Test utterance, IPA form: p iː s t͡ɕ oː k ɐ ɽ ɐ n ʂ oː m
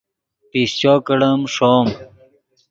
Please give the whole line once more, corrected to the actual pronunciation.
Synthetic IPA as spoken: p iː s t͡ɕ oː k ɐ ɽ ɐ m ʂ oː m